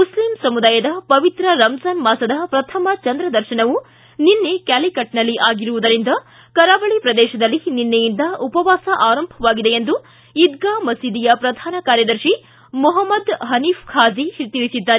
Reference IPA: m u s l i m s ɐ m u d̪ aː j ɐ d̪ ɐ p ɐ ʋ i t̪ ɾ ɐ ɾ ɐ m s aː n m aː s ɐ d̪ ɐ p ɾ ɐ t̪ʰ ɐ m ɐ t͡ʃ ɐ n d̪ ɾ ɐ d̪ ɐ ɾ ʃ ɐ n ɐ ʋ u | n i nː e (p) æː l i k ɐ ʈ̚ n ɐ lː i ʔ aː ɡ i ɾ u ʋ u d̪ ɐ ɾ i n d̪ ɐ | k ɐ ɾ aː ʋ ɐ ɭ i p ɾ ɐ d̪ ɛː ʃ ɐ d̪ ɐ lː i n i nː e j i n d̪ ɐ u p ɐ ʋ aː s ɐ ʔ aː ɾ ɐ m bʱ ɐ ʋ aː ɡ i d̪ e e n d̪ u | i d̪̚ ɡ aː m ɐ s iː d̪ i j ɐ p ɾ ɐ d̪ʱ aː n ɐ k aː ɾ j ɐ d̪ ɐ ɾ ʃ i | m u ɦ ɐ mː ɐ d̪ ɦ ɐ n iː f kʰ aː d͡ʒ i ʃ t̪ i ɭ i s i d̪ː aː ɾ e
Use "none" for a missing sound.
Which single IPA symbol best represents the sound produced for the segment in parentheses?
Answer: k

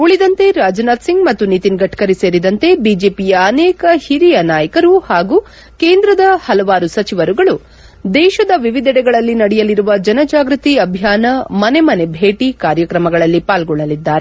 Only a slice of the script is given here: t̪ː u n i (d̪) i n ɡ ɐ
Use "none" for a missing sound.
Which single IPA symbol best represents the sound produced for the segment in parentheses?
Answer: t̪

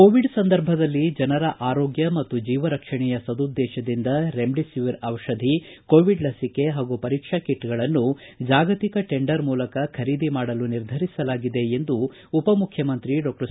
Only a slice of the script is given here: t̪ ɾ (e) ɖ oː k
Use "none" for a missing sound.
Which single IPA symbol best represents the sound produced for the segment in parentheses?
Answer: i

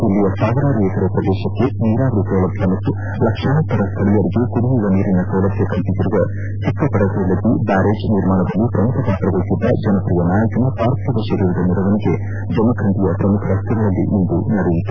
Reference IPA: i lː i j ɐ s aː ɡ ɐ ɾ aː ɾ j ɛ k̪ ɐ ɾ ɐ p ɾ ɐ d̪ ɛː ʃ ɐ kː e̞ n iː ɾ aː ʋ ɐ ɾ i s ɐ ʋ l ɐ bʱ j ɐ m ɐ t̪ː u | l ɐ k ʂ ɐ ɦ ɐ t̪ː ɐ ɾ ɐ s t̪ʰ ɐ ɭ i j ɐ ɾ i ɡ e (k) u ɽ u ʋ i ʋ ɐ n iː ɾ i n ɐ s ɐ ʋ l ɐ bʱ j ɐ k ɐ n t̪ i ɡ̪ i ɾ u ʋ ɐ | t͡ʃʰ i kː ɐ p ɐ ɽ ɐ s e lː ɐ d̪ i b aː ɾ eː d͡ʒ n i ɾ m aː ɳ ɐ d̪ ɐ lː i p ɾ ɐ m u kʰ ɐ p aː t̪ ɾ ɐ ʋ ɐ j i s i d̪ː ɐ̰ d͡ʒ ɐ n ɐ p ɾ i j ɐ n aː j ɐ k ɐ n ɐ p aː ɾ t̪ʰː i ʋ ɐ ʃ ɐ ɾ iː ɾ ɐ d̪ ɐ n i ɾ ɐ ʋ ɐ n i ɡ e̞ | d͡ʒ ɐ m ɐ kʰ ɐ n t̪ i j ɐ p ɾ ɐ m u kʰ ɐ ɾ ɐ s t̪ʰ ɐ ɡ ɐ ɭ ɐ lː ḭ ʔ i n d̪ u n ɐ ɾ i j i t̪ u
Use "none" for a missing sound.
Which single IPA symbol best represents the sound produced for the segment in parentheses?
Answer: k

